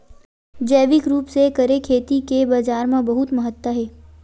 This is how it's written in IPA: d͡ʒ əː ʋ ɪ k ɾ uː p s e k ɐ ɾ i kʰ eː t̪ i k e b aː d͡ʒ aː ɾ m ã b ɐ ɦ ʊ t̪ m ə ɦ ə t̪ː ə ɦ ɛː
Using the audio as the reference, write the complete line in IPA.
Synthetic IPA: d͡ʒ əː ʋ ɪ k ɾ uː p s e k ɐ ɾ e kʰ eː t̪ i k e b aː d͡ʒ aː ɾ m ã b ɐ ɦ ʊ t̪ m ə ɦ ə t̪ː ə ɦ ɛː